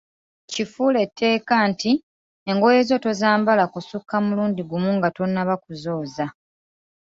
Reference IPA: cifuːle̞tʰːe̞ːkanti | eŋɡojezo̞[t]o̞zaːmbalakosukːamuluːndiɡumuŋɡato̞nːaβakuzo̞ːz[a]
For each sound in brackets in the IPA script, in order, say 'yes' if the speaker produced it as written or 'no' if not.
yes, yes

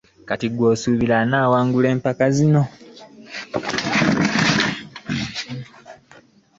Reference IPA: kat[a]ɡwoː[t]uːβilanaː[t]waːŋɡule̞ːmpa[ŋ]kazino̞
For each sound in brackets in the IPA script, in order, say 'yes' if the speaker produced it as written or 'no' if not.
no, no, no, no

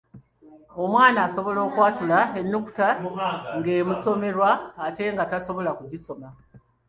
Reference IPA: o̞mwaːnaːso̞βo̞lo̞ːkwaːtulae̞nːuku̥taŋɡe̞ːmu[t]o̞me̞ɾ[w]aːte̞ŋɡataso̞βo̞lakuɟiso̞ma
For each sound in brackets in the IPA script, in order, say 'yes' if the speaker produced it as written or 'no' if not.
no, yes

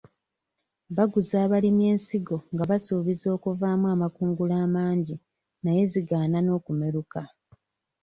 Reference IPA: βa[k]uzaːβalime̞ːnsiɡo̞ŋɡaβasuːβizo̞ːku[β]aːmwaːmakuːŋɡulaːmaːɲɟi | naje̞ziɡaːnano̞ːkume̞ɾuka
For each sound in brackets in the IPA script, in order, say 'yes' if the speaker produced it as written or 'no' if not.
no, no

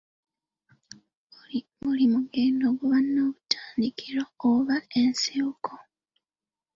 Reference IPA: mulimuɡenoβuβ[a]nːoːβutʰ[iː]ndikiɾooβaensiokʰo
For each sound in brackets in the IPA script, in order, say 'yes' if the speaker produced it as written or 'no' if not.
yes, no

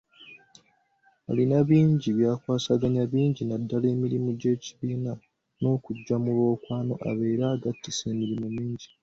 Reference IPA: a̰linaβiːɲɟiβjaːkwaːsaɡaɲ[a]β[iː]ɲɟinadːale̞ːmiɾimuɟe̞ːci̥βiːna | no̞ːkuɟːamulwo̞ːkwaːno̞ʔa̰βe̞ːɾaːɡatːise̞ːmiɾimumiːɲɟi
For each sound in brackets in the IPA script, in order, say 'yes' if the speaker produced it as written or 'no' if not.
yes, yes

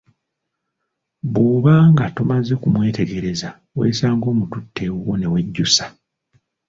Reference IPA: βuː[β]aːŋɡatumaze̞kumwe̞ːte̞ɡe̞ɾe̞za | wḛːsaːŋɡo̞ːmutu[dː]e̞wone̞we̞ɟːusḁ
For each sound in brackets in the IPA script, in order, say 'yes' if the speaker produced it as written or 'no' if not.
yes, no

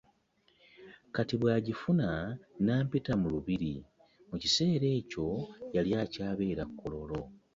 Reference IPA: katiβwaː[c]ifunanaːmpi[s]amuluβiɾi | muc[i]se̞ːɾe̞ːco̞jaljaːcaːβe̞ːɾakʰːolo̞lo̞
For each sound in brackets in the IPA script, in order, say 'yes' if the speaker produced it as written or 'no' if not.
no, no, yes

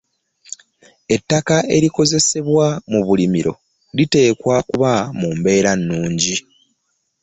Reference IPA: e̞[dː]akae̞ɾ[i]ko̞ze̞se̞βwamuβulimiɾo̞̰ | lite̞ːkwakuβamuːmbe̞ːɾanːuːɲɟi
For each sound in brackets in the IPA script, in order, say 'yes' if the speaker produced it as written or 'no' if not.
no, yes

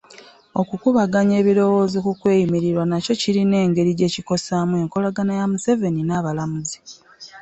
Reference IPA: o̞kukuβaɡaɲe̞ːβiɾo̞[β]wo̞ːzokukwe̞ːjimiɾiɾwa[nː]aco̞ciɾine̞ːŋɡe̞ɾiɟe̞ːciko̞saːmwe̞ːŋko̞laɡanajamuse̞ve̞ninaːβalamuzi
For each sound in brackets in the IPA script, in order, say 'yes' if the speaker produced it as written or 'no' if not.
no, no

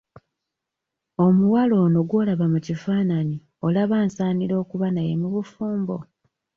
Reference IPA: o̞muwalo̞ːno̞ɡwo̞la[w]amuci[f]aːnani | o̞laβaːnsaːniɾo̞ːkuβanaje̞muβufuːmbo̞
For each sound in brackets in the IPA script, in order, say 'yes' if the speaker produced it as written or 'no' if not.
no, yes

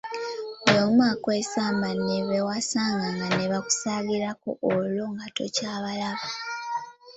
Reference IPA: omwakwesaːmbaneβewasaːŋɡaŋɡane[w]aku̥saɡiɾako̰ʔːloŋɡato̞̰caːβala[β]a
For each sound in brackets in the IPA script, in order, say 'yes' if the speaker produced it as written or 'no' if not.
no, yes

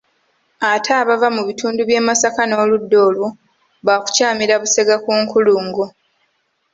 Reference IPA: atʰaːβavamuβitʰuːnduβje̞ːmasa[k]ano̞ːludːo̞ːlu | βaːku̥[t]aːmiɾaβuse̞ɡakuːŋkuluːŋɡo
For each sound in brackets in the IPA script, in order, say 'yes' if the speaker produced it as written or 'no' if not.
yes, no

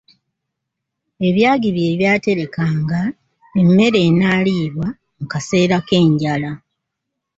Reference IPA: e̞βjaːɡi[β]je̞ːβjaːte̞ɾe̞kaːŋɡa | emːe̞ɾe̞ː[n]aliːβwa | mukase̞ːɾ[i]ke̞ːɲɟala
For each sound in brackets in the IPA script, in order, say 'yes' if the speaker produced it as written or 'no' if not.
yes, yes, no

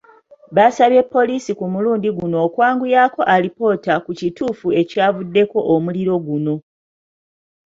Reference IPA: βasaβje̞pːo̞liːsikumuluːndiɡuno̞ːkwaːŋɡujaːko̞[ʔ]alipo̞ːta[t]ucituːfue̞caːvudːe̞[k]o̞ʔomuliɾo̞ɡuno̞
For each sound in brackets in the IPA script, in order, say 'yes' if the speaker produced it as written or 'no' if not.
yes, no, yes

